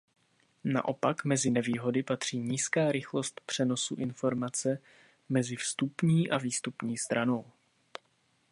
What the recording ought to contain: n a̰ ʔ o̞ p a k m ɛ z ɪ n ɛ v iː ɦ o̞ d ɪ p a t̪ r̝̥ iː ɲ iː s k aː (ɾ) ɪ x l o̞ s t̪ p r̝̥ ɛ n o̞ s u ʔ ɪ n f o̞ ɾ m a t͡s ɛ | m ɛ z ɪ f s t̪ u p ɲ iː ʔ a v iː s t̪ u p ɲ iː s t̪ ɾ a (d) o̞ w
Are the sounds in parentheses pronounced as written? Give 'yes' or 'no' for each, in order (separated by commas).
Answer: yes, no